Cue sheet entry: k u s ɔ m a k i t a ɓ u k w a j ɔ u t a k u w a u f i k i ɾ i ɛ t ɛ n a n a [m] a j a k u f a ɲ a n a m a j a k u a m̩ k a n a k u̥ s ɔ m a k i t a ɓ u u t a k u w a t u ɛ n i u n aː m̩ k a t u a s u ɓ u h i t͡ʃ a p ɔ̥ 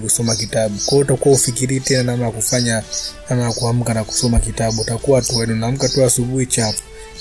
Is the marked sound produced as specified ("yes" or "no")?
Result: yes